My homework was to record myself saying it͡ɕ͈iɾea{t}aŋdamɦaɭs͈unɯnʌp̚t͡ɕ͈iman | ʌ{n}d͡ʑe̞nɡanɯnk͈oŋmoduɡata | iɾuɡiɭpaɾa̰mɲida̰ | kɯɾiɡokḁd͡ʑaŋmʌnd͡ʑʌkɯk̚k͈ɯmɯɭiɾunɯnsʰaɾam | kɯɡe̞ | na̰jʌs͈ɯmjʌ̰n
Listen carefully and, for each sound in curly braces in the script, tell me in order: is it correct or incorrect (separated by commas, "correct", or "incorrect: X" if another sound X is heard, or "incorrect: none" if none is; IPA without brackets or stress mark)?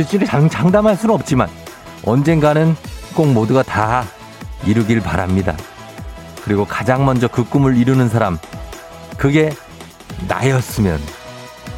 incorrect: t͡ɕ, correct